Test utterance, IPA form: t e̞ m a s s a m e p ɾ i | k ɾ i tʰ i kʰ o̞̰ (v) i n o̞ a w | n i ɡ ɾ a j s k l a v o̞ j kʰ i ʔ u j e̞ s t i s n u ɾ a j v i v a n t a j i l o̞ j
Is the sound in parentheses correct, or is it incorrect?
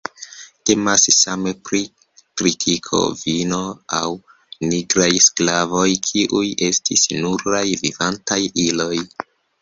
correct